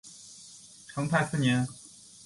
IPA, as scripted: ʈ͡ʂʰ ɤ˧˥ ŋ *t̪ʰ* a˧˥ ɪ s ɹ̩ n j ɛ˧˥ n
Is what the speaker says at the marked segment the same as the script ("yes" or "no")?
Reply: yes